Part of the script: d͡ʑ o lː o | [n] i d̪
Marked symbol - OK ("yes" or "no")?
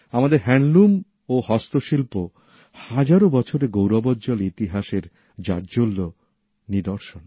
yes